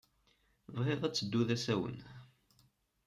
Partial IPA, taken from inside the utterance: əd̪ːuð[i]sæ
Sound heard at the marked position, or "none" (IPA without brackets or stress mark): æ